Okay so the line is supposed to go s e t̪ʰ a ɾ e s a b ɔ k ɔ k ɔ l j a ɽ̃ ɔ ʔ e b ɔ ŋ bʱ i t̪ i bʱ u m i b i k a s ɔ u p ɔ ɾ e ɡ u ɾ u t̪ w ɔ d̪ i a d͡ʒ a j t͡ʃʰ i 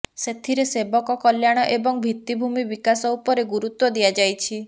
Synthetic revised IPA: s e t̪ʰ i ɾ e s e b ɔ k ɔ k ɔ l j a ɽ̃ ɔ ʔ e b ɔ ŋ bʱ i t̪ i bʱ u m i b i k a s ɔ u p ɔ ɾ e ɡ u ɾ u t̪ w ɔ d̪ i a d͡ʒ a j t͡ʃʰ i